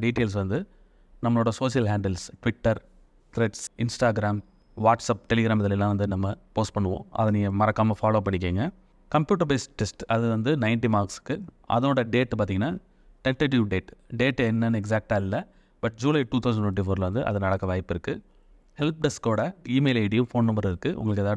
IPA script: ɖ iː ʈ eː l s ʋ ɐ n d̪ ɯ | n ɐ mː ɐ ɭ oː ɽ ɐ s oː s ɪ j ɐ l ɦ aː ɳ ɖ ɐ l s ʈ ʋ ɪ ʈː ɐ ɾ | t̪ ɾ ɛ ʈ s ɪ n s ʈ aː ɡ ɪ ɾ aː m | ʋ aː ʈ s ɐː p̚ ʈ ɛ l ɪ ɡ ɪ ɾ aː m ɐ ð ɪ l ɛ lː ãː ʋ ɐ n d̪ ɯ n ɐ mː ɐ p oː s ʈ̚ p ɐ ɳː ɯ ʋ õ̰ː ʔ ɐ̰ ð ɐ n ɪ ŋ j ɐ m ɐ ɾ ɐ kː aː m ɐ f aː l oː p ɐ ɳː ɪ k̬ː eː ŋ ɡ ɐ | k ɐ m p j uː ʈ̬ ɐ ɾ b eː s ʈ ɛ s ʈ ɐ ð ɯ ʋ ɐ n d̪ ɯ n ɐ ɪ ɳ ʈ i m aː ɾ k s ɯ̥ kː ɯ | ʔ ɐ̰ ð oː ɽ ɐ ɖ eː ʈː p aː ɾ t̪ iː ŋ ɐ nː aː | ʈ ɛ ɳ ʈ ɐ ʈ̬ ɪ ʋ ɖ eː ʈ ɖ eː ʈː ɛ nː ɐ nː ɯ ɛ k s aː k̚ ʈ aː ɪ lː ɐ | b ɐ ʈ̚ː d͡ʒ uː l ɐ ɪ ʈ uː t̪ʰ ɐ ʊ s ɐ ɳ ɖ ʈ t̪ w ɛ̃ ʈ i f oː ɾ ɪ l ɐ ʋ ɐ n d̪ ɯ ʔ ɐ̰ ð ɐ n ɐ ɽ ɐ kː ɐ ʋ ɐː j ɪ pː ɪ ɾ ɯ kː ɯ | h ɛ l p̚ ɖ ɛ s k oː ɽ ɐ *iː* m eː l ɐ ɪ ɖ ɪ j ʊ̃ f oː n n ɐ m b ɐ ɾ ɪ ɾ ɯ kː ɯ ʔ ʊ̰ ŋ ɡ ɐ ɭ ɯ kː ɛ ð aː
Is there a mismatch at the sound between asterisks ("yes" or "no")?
no